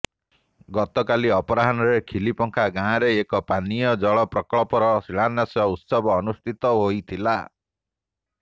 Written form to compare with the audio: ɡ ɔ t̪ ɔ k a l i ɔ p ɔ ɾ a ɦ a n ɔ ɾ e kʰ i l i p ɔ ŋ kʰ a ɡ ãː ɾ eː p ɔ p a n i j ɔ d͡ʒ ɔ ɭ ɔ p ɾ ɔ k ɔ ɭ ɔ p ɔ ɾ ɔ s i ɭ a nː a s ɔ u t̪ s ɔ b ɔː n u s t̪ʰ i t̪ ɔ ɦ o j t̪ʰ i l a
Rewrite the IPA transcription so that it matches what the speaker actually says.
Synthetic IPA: ɡ ɔ t̪ ɔ k a l i ɔ p ɔ ɾ a ɦ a n ɔ ɾ e kʰ i l i p ɔ ŋ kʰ a ɡ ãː ɾ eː k ɔ p a n i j ɔ d͡ʒ ɔ ɭ ɔ p ɾ ɔ k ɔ ɭ ɔ p ɔ ɾ ɔ s i ɭ a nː a s ɔ u t̪ s ɔ b ɔː n u s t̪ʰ i t̪ ɔ ɦ o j t̪ʰ i l a